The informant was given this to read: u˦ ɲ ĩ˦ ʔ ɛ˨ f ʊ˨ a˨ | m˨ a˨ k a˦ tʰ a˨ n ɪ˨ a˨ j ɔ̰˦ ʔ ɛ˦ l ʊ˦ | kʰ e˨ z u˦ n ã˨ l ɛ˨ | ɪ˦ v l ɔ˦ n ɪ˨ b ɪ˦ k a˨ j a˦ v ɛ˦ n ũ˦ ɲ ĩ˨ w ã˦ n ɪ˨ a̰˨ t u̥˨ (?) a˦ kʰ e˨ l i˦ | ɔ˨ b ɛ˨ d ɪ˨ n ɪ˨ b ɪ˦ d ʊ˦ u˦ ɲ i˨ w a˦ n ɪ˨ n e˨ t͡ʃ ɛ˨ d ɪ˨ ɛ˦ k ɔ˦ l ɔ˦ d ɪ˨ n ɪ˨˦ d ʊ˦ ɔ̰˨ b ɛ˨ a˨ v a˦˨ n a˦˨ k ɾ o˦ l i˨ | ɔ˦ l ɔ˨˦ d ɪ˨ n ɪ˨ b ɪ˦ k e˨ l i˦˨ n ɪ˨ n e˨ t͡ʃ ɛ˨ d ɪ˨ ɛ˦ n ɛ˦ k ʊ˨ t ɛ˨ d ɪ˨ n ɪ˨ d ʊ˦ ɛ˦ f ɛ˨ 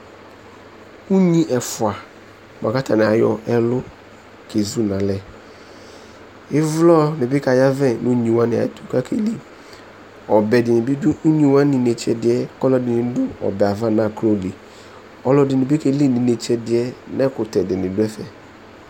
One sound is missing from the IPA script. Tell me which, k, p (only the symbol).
k